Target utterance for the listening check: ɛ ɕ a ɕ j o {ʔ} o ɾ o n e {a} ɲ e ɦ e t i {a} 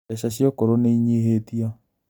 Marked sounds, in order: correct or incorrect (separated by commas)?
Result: incorrect, incorrect, correct